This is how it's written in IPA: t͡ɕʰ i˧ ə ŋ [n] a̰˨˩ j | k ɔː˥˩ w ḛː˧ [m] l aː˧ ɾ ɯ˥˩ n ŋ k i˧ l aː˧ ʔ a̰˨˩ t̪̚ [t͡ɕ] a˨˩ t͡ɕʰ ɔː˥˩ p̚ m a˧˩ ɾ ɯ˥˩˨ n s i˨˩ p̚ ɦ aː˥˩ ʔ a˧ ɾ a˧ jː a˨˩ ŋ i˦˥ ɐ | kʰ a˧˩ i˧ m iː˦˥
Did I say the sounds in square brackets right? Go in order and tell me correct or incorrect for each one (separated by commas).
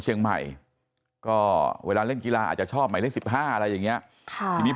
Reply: incorrect, incorrect, correct